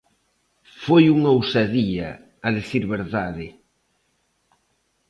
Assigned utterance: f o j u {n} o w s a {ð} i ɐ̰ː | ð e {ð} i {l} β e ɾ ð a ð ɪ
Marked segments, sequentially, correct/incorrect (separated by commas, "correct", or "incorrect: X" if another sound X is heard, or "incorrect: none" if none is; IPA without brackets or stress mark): incorrect: ŋ, correct, incorrect: θ, incorrect: ɾ